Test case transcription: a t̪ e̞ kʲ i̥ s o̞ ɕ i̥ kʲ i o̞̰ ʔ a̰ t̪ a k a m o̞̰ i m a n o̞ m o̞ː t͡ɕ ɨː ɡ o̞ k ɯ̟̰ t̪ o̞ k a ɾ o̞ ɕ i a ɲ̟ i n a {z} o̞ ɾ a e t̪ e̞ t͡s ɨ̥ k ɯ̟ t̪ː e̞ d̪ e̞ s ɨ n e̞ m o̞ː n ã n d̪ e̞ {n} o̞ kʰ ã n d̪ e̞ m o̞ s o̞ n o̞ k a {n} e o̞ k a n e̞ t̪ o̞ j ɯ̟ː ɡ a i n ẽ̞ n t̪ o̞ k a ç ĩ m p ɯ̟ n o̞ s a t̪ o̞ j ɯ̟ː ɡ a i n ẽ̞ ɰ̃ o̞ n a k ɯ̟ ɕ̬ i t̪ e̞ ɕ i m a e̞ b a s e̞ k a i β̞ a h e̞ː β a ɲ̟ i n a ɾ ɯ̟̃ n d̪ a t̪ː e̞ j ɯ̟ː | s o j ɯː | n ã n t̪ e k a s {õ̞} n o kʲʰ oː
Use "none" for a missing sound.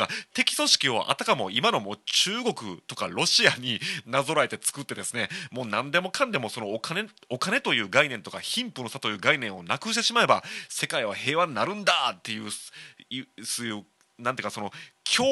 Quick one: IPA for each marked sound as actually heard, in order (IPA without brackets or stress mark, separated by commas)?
z, m, n, o̞